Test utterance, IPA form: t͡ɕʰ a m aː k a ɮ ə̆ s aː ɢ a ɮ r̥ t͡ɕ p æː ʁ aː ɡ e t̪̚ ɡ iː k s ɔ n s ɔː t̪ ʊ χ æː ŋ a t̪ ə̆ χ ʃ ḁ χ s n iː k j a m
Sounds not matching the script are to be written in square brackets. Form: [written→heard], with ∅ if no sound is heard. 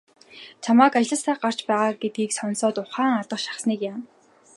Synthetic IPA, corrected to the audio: t͡ɕʰ a m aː k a ɮ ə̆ s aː ɢ a [ɮ→∅] r̥ t͡ɕ p æː ʁ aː ɡ e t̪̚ ɡ iː k s ɔ n s ɔː t̪ ʊ χ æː ŋ a t̪ ə̆ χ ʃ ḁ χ s n iː k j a m